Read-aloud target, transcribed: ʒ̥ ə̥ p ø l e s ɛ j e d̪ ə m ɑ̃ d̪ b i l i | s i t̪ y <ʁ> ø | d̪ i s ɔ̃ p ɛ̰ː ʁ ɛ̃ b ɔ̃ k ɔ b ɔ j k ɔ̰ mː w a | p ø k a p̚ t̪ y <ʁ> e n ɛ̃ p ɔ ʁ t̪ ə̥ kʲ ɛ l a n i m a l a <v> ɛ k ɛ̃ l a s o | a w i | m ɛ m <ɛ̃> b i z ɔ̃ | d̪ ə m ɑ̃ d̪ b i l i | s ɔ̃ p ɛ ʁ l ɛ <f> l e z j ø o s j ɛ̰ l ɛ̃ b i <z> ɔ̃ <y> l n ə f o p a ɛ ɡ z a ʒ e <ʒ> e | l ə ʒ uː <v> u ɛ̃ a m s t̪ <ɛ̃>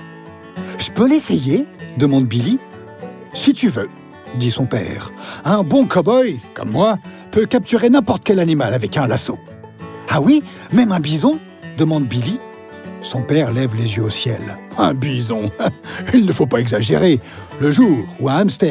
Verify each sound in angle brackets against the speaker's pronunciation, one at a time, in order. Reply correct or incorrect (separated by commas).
incorrect, correct, correct, correct, incorrect, correct, incorrect, incorrect, incorrect, incorrect